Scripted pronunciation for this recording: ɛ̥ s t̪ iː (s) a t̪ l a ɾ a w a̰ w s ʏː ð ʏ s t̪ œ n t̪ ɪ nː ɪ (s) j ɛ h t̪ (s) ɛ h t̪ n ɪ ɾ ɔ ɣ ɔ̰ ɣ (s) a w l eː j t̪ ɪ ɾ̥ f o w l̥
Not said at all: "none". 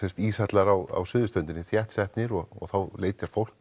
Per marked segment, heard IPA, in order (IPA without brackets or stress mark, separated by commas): s, θ, s, θ